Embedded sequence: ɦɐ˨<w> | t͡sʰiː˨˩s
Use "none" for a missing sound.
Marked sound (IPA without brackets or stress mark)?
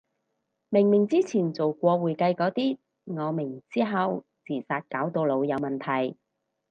w